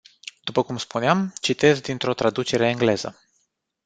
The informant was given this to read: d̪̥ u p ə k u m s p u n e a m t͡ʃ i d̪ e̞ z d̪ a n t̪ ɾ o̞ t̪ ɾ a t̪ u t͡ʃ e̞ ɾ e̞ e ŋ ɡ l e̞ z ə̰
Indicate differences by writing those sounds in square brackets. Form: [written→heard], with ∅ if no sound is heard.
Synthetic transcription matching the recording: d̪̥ u p ə k u m s p u n e a m t͡ʃ i [d̪→t̪] e̞ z d̪ [a→i] n t̪ ɾ o̞ t̪ ɾ a [t̪→d̪] u t͡ʃ e̞ ɾ e̞ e ŋ ɡ l e̞ z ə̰